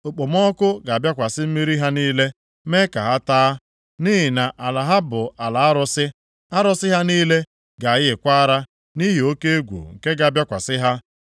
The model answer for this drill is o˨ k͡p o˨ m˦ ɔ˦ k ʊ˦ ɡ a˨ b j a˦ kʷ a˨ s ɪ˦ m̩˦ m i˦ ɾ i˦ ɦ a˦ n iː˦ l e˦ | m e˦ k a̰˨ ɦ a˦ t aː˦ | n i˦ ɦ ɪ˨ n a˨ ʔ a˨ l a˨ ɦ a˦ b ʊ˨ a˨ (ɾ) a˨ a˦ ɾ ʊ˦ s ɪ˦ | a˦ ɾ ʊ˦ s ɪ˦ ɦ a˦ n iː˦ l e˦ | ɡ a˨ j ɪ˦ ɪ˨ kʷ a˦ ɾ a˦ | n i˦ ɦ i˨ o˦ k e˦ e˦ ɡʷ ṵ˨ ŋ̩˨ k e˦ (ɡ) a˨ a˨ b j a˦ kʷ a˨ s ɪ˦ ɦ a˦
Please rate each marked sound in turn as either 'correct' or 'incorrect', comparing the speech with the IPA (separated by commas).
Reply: incorrect, correct